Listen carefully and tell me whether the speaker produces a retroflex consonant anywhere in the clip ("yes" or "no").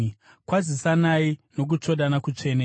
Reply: yes